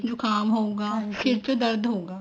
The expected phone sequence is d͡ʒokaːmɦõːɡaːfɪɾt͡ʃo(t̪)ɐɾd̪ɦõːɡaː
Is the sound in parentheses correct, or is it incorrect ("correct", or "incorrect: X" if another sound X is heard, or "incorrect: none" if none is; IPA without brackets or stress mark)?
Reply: incorrect: d̪